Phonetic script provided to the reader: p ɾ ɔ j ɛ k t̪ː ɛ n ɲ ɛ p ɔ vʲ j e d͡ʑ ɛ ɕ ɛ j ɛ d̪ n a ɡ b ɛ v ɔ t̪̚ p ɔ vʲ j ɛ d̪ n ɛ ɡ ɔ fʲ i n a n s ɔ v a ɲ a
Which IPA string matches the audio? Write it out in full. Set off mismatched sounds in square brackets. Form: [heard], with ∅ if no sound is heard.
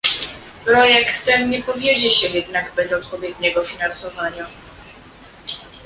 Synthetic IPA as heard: p ɾ ɔ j ɛ k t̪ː ɛ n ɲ ɛ p ɔ vʲ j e d͡ʑ ɛ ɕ ɛ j ɛ d̪ n a ɡ b ɛ [z] ɔ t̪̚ p ɔ vʲ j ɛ d̪ [ɲ] ɛ ɡ ɔ fʲ i n a n s ɔ v a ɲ a